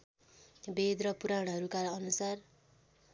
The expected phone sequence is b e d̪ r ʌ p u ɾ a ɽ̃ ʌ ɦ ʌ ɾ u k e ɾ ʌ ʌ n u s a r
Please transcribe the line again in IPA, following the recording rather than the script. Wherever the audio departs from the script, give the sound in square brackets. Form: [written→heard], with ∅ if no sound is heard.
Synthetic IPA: b e d̪ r ʌ p u ɾ a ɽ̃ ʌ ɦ ʌ ɾ u k [e→a] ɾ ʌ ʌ n u s a r